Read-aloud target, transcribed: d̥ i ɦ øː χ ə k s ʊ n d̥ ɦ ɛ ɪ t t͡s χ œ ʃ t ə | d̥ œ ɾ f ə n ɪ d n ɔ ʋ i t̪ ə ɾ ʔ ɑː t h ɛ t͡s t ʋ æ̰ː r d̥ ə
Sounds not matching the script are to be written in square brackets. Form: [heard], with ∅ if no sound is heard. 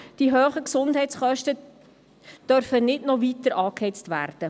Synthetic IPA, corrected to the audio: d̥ i ɦ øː χ ə k s ʊ n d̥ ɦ ɛ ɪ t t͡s χ œ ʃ t ə | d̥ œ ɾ f ə n ɪ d n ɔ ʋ i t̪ ə ɾ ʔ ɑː [k] h ɛ t͡s t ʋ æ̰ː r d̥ ə

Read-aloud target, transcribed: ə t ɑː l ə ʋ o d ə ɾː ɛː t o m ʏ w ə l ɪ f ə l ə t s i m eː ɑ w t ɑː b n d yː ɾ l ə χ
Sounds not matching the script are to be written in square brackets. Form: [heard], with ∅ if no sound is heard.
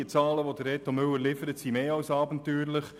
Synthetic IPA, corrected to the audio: ə [t͡s] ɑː l ə ʋ o d ə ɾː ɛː t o m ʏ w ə l ɪ f ə [ɾ] ə t s i m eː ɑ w [s] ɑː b n [t] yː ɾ l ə χ

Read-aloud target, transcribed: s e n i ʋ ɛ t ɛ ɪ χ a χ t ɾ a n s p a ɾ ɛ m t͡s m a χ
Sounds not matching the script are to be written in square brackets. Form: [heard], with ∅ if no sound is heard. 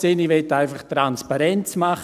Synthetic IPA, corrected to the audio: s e n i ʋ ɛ t [a] ɪ [f] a χ t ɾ a n s p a ɾ ɛ [n] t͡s m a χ

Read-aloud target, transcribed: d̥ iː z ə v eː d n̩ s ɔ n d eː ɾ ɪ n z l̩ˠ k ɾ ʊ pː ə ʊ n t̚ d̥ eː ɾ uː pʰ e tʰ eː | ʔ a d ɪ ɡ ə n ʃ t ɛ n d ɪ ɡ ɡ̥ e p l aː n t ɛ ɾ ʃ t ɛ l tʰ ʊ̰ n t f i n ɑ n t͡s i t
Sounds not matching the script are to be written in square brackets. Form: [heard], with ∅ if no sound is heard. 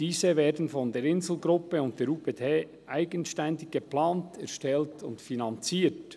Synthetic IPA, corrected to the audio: d̥ iː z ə v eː d n̩ [f] ɔ n d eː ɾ ɪ n z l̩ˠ [ɡ] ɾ ʊ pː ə ʊ n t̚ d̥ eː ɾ uː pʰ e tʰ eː | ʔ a [∅] ɪ ɡ ə n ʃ t ɛ n d ɪ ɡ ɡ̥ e p l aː n t ɛ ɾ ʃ t ɛ l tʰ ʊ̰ n t f i n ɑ n t͡s [iː] t

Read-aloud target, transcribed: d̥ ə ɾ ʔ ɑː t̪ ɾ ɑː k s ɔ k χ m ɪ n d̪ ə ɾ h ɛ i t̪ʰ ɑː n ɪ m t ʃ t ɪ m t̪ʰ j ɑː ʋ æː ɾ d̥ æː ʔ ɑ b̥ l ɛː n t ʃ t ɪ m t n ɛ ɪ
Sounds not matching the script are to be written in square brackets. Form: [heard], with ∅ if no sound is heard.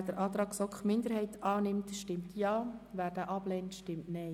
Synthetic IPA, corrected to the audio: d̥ ə ɾ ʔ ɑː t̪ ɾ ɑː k s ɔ k χ m ɪ n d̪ ə ɾ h ɛ [ɪ] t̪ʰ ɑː n ɪ m t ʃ t ɪ m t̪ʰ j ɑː ʋ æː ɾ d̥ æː ʔ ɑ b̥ l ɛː n t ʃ t ɪ m t n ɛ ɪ

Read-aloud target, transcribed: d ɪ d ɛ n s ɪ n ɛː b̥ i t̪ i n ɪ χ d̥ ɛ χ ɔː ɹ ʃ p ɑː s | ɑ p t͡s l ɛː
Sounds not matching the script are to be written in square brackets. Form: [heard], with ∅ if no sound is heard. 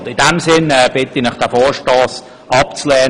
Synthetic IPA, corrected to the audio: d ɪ d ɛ [m] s ɪ n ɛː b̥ [ɪ] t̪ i n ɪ χ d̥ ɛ [f] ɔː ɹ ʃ [t] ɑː s | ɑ p t͡s l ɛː

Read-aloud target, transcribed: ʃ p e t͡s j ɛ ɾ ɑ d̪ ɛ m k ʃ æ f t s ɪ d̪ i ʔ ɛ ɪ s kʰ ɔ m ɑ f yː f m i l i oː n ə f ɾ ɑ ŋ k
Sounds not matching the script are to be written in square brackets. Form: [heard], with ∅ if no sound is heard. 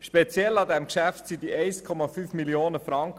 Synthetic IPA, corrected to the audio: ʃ p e t͡s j ɛ [l] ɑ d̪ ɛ m k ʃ æ f t s [i] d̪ i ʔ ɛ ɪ s kʰ ɔ m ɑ f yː f m i l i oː n ə f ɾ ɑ ŋ k

